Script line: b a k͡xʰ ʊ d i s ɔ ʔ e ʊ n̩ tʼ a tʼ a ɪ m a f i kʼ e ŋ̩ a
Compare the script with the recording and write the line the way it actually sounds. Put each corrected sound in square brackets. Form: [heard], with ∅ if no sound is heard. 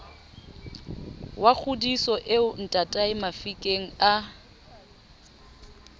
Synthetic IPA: [w] a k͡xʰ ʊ d i s ɔ ʔ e ʊ n̩ tʼ a tʼ a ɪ m a f i kʼ e ŋ̩ a